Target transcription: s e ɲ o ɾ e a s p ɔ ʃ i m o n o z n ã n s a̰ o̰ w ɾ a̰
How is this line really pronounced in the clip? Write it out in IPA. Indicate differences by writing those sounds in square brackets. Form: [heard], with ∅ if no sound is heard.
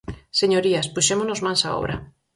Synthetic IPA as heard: s e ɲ o ɾ [i] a s p [u] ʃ [e] m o n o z [m] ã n s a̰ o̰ [β] ɾ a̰